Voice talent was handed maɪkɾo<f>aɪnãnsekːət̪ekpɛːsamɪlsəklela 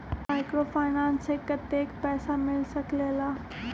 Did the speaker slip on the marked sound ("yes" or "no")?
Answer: no